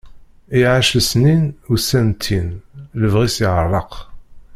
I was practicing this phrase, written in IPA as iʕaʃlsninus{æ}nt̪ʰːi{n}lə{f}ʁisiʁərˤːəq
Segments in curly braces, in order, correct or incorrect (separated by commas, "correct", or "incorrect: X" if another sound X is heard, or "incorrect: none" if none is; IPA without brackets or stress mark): correct, correct, incorrect: v